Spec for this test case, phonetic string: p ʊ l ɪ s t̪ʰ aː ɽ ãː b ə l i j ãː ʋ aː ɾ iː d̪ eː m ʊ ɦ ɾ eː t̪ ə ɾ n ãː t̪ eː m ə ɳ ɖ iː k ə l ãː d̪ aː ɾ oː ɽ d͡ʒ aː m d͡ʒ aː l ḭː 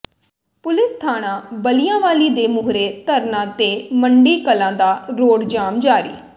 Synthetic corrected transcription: p ʊ l ɪ s t̪ʰ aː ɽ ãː b ə l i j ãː ʋ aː l iː d̪ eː m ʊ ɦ ɾ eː t̪ ə ɾ n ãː t̪ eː m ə ɳ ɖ iː k ə l ãː d̪ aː ɾ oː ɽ d͡ʒ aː m d͡ʒ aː ɾ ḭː